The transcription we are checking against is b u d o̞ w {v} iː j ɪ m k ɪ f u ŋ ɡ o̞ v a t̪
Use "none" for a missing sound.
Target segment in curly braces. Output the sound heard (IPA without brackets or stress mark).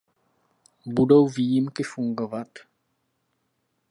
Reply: v